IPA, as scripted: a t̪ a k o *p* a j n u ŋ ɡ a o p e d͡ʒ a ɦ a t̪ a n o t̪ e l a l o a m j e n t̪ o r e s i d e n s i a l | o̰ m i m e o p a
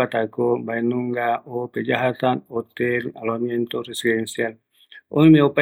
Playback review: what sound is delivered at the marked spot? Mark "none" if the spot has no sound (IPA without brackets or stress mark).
b